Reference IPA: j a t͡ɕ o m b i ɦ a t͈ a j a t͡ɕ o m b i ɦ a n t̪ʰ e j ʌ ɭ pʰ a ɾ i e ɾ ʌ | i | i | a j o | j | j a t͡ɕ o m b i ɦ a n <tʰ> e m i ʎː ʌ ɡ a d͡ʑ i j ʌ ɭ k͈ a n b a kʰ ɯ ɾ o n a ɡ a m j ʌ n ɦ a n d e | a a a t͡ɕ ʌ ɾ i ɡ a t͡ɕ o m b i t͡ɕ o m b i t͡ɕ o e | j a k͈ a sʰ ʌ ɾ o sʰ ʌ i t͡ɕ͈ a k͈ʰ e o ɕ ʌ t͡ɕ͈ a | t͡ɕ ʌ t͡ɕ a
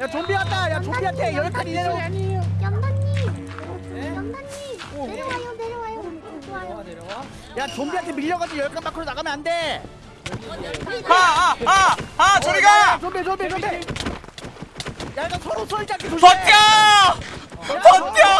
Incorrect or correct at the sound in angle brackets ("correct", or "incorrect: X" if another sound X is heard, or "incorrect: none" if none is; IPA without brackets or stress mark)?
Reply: correct